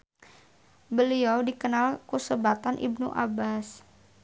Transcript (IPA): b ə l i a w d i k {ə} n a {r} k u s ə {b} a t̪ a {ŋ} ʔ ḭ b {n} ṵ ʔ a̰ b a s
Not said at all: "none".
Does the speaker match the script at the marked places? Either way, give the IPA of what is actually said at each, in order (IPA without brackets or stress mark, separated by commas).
ə, l, b, n, n